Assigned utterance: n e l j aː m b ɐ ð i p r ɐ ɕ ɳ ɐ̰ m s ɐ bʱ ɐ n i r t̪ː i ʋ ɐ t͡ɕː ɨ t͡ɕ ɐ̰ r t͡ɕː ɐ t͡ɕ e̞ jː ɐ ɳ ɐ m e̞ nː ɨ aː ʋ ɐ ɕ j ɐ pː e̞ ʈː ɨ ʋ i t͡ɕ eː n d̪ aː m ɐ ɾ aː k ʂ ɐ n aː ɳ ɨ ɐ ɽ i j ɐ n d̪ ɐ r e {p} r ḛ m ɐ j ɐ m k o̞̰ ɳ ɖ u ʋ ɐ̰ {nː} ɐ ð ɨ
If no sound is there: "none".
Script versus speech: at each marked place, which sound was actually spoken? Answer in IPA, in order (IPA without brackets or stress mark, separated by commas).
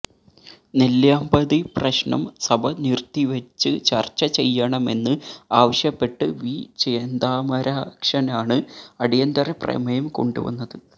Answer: p, nː